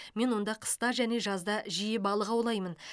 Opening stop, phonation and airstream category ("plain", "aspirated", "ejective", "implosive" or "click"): plain